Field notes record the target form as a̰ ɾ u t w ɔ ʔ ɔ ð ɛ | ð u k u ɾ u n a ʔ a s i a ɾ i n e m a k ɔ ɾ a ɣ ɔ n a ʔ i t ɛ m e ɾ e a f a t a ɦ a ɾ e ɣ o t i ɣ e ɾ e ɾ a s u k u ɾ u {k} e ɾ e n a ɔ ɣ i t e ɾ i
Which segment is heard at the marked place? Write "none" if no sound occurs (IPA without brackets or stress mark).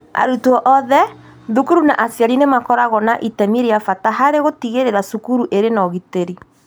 ʔ